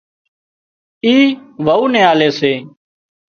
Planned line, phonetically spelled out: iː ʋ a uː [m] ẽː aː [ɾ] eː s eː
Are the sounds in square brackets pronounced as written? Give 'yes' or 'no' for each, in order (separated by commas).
no, no